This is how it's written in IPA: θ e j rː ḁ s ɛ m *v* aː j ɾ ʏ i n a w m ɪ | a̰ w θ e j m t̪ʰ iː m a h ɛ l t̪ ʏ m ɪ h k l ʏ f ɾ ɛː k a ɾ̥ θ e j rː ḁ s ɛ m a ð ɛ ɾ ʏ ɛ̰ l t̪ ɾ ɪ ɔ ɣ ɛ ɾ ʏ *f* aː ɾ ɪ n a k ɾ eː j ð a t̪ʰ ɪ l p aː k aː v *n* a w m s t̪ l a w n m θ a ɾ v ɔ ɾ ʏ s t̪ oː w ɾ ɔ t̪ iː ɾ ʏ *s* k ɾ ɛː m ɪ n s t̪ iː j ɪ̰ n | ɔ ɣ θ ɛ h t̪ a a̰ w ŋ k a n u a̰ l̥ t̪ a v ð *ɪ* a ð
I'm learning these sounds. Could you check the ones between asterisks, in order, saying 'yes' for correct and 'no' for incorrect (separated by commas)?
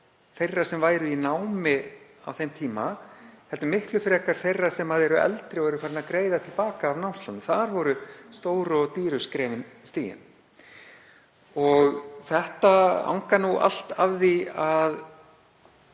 yes, yes, yes, yes, no